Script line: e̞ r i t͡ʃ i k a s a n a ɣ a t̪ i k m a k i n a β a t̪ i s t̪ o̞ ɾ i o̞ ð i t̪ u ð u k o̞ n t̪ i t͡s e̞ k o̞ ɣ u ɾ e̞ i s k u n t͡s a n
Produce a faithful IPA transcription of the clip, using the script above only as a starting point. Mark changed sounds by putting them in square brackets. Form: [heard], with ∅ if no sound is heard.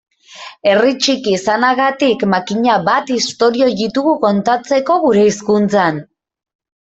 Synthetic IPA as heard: e̞ r i t͡ʃ i k [i] s a n a ɣ a t̪ i k m a k i [ɲ] a β a t̪ i s t̪ o̞ ɾ i o̞ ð i t̪ u [ɣ] u k o̞ n t̪ [a] t͡s e̞ k o̞ ɣ u ɾ e̞ i s k u n t͡s a n

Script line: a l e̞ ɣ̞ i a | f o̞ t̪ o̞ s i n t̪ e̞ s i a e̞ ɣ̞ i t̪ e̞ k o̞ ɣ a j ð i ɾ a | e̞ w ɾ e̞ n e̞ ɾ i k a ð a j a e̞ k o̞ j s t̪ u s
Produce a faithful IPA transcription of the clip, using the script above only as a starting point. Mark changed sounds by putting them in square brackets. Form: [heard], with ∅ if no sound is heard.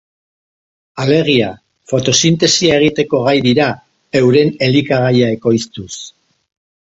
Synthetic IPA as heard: a l e̞ ɣ̞ i a | f o̞ t̪ o̞ s i n t̪ e̞ s i a e̞ ɣ̞ i t̪ e̞ k o̞ ɣ a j ð i ɾ a | e̞ w ɾ e̞ n e̞ [l] i k a [ɣ] a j a e̞ k o̞ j s t̪ u s

